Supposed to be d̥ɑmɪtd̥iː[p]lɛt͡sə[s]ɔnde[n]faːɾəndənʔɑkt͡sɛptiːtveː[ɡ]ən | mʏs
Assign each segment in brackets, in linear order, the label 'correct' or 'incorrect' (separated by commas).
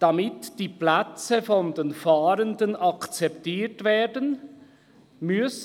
correct, incorrect, correct, incorrect